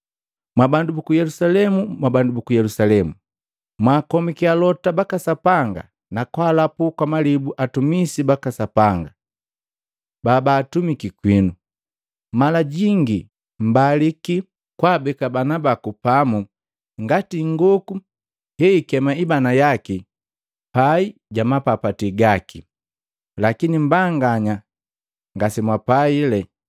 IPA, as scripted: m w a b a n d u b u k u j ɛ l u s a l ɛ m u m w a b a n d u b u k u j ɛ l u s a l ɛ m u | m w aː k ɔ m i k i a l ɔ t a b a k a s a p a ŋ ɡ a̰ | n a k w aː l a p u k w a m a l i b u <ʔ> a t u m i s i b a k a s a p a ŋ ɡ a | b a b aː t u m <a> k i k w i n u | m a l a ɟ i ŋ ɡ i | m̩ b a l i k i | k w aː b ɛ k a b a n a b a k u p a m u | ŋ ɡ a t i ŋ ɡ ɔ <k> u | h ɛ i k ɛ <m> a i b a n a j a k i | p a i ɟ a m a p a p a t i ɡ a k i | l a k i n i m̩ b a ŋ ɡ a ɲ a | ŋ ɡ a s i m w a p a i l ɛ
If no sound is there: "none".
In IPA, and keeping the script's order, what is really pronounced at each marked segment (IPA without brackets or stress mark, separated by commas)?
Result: ʔ, i, k, m